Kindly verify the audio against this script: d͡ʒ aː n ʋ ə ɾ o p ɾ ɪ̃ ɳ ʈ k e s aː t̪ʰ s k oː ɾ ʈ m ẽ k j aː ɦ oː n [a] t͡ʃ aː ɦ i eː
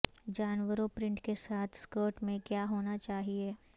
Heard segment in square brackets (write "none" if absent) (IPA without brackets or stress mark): a